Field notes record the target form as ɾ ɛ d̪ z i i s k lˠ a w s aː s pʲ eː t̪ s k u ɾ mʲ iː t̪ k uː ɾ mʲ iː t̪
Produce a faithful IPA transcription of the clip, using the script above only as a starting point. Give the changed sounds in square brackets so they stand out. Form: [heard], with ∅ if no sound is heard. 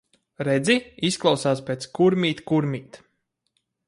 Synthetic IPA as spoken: ɾ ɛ d̪ z i i s k lˠ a w s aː s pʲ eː t̪ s k u ɾ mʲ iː t̪ k [u] ɾ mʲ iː t̪